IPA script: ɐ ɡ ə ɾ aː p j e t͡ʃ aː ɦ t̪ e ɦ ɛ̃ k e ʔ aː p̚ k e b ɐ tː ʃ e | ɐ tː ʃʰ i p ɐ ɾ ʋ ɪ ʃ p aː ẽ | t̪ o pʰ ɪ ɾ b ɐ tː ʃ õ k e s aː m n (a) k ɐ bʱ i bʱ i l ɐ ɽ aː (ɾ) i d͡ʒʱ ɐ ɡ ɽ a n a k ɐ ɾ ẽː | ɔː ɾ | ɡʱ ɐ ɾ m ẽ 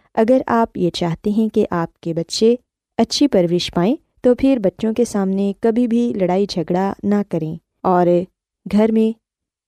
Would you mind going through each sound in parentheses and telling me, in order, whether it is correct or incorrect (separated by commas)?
incorrect, incorrect